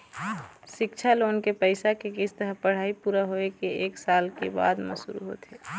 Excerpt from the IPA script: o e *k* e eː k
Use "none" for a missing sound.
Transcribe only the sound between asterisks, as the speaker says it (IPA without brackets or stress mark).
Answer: k